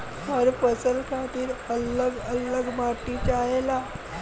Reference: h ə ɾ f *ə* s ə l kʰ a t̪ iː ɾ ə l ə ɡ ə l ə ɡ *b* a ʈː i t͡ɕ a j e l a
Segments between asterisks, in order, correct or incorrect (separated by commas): correct, incorrect